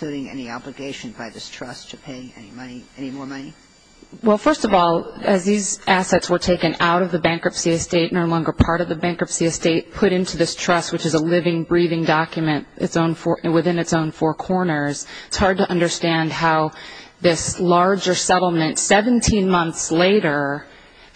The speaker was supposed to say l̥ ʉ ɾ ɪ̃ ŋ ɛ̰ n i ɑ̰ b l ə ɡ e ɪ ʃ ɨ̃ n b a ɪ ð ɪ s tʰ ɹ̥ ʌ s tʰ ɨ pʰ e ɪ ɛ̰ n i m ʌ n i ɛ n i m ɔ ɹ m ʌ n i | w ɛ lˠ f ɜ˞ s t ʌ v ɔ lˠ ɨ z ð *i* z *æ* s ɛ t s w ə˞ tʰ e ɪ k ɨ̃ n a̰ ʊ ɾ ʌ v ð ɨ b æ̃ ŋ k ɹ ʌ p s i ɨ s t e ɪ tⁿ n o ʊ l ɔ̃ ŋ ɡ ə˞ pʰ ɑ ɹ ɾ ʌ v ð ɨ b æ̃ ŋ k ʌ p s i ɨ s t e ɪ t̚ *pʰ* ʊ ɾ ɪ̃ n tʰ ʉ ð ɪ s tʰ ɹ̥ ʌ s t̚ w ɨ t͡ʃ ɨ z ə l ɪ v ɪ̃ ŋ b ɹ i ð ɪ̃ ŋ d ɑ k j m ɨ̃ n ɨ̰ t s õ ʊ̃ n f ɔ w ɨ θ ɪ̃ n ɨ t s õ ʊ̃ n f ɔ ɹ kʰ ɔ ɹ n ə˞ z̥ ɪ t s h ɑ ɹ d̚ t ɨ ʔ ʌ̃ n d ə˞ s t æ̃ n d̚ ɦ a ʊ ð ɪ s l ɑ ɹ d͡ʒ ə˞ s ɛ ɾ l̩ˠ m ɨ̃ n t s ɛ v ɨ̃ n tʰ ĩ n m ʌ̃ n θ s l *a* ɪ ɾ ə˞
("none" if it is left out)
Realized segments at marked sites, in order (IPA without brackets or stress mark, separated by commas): i, æ, pʰ, e